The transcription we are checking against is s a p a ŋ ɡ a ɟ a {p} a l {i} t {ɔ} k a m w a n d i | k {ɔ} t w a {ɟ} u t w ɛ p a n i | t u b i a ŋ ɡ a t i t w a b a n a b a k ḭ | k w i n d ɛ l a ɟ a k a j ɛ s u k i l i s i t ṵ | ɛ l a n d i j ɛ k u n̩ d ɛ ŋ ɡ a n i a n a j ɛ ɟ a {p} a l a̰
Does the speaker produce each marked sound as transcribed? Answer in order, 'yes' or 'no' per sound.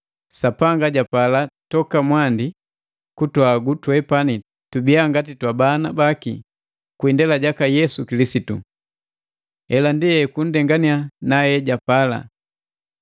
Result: yes, no, yes, no, no, yes

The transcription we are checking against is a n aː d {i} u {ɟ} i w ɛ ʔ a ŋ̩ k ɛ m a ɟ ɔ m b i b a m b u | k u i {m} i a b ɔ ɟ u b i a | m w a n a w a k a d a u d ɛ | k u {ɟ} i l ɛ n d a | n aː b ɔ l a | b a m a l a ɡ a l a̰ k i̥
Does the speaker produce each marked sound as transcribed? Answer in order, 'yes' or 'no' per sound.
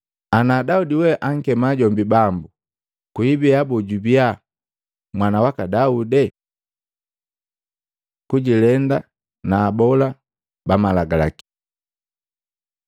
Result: no, no, no, yes

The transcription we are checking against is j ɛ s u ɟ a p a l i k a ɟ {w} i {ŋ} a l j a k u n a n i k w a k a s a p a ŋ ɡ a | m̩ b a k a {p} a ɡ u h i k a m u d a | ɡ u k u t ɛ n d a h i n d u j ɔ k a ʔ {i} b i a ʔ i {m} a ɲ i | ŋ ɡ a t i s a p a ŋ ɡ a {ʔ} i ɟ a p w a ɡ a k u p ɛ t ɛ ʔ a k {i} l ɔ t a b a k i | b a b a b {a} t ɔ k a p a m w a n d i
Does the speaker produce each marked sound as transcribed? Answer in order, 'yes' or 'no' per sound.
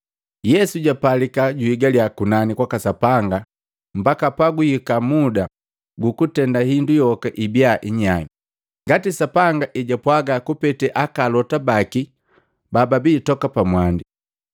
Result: no, no, yes, yes, no, yes, no, no

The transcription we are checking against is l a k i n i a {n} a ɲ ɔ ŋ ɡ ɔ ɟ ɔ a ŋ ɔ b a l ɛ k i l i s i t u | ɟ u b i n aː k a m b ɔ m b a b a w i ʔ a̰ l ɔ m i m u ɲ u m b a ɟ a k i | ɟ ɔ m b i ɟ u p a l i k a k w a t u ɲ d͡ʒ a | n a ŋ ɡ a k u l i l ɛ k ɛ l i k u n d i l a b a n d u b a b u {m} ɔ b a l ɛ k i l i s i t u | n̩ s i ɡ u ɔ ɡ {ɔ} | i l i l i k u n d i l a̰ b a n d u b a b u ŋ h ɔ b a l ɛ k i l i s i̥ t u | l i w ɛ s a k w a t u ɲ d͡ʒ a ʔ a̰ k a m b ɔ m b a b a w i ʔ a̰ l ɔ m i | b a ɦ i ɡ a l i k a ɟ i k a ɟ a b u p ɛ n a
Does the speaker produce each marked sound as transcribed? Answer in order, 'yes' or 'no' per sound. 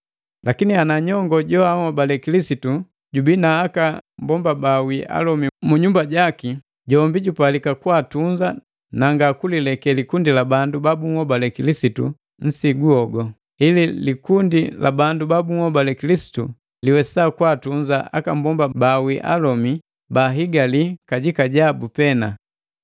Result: yes, no, yes

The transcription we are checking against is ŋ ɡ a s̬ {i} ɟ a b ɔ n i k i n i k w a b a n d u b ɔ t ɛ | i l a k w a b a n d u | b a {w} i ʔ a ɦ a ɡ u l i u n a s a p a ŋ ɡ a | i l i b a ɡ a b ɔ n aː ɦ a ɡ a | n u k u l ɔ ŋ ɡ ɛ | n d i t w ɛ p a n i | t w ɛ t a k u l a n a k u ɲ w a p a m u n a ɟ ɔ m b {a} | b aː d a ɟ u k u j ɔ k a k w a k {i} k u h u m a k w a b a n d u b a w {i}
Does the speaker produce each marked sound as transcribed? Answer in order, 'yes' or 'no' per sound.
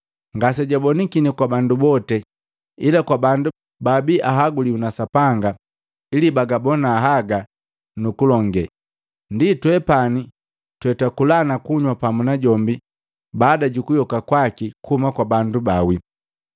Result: no, no, no, yes, yes

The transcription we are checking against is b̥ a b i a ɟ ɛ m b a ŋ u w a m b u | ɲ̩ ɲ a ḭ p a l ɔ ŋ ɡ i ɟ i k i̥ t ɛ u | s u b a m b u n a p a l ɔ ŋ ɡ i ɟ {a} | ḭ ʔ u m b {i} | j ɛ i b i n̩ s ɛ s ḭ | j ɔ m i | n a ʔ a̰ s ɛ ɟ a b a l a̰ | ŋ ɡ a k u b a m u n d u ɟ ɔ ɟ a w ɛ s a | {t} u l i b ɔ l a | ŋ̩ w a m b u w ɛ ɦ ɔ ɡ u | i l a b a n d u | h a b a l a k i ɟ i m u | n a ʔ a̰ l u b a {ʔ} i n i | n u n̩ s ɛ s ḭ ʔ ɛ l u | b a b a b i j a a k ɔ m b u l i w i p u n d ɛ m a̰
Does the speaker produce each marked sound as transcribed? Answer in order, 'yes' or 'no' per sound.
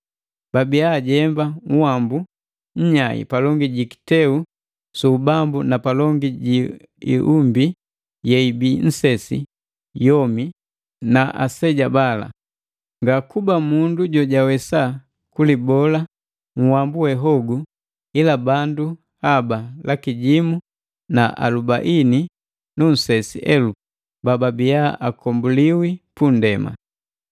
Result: no, yes, no, yes

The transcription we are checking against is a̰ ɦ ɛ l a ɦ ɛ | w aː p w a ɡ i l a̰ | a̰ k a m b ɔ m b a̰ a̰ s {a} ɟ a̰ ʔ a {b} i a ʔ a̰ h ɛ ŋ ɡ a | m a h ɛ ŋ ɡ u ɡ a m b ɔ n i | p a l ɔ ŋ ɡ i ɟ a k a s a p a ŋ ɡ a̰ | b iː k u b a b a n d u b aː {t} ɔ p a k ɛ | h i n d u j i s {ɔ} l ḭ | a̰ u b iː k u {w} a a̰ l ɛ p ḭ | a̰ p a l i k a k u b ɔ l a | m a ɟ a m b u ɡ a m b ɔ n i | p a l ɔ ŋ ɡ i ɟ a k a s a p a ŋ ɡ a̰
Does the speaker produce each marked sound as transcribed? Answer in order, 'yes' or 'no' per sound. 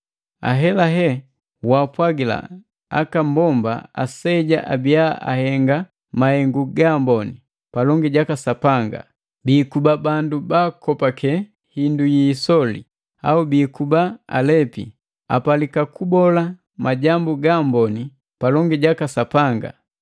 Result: no, yes, no, yes, no

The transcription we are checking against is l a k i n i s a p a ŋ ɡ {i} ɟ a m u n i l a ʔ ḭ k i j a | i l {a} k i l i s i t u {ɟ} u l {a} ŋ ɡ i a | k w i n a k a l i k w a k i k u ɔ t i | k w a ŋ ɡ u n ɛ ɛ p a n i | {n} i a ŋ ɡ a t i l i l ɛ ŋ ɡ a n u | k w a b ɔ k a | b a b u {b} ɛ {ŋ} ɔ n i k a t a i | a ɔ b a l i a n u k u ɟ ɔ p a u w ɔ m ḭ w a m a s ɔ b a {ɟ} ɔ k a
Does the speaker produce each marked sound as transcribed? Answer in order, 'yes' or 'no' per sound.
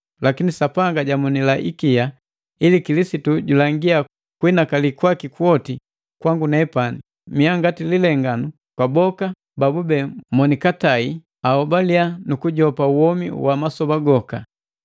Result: no, no, yes, yes, no, yes, no, no

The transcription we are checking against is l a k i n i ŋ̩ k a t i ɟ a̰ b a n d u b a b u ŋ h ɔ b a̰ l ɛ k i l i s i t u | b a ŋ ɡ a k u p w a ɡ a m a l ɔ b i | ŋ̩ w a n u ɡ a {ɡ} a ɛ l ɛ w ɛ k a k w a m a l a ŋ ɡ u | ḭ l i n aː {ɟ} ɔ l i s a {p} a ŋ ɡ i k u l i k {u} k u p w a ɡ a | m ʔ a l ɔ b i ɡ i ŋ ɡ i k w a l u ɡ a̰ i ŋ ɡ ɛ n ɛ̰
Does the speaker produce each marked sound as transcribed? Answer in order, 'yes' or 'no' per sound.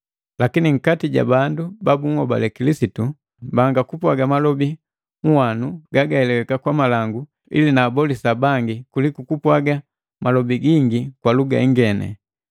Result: yes, no, no, yes

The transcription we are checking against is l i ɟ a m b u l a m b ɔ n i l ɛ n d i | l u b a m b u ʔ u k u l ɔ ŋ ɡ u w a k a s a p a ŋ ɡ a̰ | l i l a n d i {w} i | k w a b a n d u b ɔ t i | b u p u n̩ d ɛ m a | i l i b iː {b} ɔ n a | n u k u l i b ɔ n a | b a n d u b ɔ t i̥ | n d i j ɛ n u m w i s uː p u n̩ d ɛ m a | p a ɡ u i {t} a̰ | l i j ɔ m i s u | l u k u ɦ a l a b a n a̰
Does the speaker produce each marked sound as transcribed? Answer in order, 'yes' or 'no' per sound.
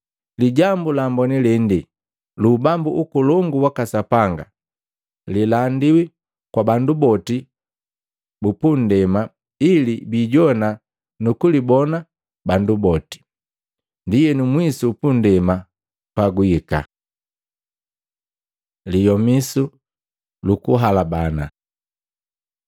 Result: yes, no, no

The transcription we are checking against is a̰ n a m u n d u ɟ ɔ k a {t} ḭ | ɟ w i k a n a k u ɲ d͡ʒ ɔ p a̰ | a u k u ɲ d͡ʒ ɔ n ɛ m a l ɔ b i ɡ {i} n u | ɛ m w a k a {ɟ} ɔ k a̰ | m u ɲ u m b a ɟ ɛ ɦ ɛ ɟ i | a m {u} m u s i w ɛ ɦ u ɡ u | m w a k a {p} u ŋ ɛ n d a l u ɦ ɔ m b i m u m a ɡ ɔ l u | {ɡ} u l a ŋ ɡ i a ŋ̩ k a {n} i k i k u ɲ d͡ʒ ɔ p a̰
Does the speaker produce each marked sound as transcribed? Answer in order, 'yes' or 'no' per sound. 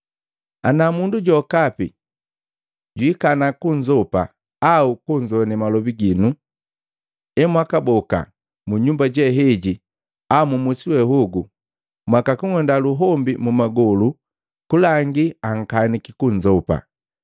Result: no, yes, no, yes, no, no, yes

